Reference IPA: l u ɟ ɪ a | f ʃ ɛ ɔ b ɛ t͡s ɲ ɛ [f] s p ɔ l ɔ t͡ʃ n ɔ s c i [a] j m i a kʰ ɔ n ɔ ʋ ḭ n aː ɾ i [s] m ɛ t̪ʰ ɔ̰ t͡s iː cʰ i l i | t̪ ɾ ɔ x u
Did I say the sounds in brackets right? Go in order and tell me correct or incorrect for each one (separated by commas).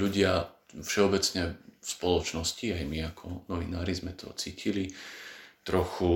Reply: correct, correct, incorrect